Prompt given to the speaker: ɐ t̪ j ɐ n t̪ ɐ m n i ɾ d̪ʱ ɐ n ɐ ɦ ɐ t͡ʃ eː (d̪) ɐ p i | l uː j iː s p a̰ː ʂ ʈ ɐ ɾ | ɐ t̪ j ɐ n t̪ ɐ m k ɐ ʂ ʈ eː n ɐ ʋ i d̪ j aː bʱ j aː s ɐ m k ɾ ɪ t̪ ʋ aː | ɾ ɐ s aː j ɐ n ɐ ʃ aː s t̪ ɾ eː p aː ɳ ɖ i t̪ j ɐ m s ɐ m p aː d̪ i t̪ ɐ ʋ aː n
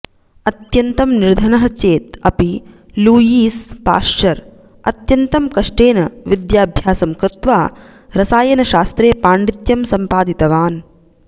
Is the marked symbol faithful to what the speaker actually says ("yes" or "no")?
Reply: no